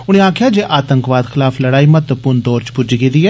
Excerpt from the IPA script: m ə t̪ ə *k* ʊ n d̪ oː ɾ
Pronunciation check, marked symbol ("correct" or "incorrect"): incorrect